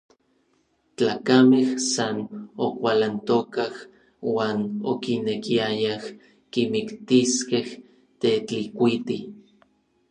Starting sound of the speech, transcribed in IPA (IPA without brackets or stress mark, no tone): t͡ɬ